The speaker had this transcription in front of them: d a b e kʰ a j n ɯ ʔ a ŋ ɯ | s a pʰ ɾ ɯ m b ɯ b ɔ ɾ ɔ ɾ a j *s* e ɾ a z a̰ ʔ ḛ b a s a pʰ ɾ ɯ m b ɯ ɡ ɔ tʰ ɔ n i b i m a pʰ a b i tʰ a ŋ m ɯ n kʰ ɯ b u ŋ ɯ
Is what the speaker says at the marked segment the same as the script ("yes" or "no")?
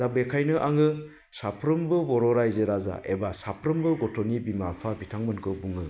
no